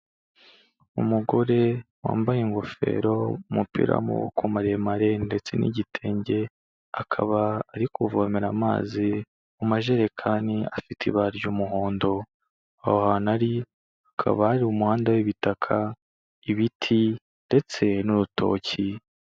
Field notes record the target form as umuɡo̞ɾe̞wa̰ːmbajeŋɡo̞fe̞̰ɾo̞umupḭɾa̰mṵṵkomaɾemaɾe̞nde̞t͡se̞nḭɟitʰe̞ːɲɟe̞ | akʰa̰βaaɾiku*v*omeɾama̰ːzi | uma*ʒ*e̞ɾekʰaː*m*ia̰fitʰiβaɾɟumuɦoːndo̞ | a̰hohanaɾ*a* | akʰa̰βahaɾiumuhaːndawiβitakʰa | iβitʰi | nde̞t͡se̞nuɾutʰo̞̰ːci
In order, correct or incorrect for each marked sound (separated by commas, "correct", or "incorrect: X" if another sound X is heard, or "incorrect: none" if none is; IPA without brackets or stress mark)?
correct, correct, incorrect: n, incorrect: i